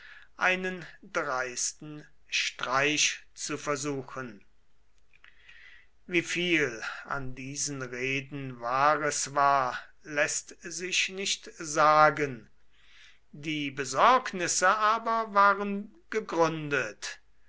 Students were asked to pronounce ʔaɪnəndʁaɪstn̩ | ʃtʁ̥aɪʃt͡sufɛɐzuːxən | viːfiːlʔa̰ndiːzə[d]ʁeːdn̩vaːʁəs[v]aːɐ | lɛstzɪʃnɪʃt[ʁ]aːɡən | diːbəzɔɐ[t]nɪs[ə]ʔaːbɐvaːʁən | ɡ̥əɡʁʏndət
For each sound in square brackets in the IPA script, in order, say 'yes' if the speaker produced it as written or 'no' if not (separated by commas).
no, yes, no, no, yes